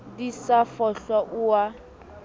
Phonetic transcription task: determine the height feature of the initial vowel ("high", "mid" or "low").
high